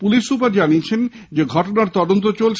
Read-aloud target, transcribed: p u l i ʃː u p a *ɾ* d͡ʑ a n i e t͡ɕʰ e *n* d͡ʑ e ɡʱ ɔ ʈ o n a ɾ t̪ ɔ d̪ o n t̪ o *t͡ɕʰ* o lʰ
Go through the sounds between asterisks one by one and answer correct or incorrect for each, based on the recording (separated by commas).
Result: correct, correct, incorrect